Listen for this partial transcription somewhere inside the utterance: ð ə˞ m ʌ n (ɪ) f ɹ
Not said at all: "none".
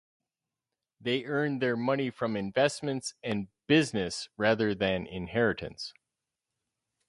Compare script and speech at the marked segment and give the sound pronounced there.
i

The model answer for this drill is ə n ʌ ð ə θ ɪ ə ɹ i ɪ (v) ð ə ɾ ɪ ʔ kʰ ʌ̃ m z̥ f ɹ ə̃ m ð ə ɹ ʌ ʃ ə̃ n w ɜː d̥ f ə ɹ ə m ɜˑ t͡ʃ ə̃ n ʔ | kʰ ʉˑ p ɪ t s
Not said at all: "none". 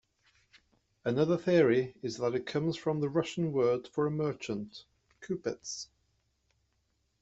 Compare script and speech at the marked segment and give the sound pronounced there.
z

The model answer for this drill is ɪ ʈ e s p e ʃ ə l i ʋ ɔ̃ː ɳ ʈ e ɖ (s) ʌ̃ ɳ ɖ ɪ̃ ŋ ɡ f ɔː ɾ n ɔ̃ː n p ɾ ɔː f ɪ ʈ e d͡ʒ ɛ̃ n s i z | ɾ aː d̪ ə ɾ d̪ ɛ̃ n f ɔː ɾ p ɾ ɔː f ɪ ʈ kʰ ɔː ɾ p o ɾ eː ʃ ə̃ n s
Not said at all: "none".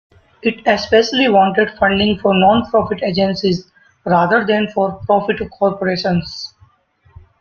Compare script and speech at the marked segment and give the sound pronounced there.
f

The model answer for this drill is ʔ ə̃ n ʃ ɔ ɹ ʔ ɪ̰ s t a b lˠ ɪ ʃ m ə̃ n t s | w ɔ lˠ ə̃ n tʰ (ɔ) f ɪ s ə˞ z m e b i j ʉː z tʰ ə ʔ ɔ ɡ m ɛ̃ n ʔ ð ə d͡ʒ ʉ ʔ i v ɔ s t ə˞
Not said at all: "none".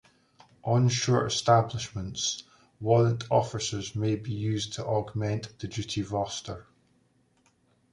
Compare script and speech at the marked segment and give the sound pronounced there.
ɔ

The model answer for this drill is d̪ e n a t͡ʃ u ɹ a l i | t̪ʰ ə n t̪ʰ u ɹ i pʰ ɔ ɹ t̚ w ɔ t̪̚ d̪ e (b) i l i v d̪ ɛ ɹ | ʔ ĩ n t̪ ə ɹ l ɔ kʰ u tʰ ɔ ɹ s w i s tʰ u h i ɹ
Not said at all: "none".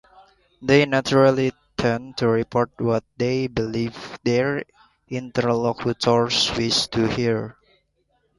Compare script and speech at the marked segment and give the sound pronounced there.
b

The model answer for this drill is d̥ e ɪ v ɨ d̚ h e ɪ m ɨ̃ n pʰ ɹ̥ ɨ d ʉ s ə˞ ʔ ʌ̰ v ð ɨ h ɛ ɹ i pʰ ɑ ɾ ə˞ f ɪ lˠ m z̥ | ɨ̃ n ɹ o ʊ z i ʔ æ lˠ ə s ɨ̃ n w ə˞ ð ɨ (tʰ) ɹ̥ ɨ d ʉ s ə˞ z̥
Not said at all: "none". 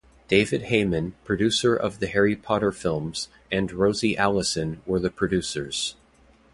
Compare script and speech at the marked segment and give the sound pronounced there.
pʰ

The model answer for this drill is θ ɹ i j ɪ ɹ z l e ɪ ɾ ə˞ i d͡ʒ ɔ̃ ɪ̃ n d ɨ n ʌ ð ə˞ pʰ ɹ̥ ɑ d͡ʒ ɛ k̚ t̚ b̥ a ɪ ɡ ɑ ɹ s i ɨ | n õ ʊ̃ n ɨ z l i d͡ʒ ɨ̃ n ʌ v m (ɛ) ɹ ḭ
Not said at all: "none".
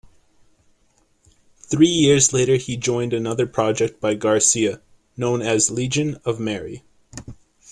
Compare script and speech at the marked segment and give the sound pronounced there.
ɛ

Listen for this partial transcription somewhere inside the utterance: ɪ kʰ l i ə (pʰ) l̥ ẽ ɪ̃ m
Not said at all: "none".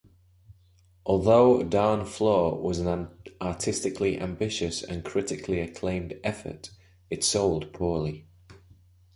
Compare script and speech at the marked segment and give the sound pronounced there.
kʰ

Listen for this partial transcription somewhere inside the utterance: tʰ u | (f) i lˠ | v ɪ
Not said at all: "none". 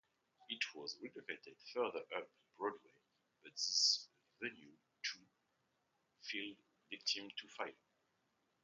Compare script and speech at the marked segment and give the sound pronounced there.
f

